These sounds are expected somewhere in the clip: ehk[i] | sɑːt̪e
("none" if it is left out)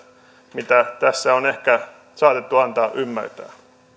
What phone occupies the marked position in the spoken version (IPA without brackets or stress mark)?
æ